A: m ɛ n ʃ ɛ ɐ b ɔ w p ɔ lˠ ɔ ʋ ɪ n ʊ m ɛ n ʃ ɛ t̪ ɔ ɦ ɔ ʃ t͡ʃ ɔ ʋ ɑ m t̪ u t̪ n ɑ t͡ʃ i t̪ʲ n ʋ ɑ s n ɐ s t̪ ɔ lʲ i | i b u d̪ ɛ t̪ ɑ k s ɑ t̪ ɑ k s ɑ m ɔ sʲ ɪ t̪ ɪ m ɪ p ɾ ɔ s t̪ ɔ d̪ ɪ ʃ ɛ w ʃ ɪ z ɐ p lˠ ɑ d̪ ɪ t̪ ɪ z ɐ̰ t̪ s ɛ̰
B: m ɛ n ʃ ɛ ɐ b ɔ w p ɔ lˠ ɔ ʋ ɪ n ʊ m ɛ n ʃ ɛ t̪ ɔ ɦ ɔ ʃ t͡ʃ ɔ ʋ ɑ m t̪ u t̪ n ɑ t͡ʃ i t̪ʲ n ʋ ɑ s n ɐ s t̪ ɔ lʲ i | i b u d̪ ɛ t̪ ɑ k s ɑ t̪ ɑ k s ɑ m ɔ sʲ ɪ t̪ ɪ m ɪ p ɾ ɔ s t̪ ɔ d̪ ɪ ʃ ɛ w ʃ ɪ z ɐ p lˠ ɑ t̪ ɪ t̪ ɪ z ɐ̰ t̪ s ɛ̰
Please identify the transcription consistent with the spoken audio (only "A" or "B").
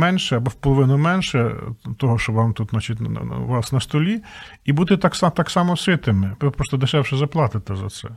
B